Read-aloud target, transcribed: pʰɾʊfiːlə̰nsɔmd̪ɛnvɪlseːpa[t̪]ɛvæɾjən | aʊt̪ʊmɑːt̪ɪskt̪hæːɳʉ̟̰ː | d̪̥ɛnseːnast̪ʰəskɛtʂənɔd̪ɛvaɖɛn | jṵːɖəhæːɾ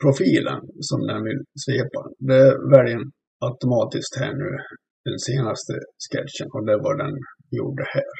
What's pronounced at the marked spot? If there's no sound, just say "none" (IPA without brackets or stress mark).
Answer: d̪